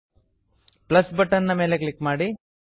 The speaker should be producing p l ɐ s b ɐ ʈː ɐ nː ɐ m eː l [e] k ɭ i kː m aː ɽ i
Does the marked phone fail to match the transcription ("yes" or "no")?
no